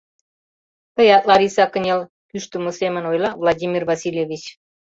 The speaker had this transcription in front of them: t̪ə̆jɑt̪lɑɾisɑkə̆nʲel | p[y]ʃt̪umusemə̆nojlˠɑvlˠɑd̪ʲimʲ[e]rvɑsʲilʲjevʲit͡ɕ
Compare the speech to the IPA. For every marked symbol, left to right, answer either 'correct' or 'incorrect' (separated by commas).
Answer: correct, incorrect